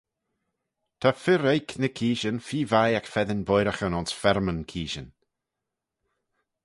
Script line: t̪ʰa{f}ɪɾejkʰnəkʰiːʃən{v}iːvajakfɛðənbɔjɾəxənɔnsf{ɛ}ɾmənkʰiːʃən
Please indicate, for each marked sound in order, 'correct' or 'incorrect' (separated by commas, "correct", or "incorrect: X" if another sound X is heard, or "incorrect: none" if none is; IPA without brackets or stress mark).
correct, incorrect: f, correct